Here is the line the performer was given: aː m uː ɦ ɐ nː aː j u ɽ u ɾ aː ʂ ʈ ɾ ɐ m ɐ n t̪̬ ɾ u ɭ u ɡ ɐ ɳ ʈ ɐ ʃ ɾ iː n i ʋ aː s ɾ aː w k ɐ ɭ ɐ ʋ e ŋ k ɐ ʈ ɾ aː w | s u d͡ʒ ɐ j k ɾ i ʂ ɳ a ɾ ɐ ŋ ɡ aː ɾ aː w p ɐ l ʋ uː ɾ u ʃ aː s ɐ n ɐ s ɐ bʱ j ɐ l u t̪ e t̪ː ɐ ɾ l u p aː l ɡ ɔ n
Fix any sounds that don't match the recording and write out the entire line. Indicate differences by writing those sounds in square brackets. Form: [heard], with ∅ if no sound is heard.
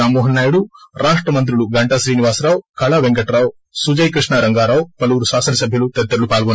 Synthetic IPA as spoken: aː m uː ɦ ɐ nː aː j u ɽ u ɾ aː ʂ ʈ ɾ ɐ m ɐ n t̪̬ ɾ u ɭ u ɡ ɐ ɳ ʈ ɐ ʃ ɾ iː n i ʋ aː s ɾ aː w k ɐ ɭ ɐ ʋ e ŋ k ɐ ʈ ɾ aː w | s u d͡ʒ ɐ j k ɾ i ʂ ɳ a ɾ ɐ ŋ ɡ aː ɾ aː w p ɐ l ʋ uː ɾ u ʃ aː s ɐ n ɐ s ɐ bʱ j ɐ l u t̪ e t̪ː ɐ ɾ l u p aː l ɡ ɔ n